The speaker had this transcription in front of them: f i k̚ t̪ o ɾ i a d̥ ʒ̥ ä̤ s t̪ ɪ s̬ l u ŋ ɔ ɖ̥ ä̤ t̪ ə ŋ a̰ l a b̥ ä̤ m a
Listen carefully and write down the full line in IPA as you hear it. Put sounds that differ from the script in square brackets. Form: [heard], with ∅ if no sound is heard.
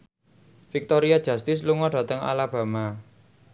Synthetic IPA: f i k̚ t̪ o ɾ i a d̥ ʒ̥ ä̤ s t̪ ɪ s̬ l u ŋ ɔ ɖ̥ ä̤ t̪ ə ŋ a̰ l a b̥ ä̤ m a